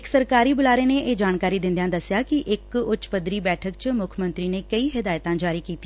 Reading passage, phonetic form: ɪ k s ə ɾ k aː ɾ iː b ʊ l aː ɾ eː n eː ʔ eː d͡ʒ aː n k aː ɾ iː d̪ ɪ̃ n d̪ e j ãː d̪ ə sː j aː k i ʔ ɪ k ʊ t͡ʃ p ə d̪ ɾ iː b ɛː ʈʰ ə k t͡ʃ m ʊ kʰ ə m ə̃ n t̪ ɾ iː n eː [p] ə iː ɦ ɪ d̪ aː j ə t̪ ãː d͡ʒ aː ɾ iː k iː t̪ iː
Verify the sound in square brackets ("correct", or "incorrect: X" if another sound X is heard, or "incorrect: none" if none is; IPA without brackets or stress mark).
incorrect: k